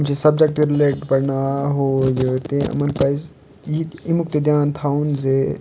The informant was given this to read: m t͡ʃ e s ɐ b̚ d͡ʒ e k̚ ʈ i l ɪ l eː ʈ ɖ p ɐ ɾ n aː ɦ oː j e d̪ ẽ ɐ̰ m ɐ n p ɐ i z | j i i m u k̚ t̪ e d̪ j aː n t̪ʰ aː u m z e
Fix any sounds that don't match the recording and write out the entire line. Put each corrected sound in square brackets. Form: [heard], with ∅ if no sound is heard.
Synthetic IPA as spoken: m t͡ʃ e s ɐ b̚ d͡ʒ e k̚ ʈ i [ɾ] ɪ l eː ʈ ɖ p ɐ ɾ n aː ɦ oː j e [t̪] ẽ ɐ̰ m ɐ n p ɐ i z | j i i m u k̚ t̪ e d̪ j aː n t̪ʰ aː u [n] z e